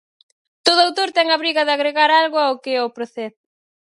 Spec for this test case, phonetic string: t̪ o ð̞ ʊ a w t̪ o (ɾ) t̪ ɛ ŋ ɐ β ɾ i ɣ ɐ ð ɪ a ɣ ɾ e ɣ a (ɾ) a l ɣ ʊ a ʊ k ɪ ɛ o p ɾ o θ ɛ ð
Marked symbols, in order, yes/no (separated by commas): yes, yes